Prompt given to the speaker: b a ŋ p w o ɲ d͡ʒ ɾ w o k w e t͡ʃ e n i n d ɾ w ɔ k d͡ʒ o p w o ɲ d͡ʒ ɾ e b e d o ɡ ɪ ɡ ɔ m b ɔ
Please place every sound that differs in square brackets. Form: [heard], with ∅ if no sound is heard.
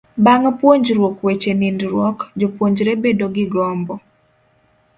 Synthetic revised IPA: b a ŋ p w o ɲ d͡ʒ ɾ w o k w e t͡ʃ e n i n d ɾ w ɔ k d͡ʒ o p w o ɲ d͡ʒ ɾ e b e d o ɡ ɪ ɡ ɔ m b ɔ